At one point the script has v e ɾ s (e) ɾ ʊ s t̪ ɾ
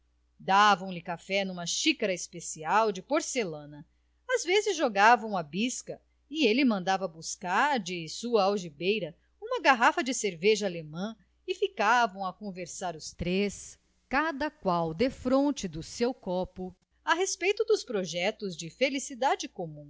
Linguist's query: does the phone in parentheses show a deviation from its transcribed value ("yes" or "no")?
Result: yes